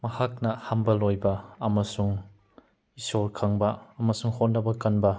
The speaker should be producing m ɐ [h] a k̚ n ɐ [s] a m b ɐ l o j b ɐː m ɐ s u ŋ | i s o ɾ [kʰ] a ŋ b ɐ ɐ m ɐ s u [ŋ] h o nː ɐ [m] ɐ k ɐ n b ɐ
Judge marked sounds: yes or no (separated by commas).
yes, no, yes, yes, no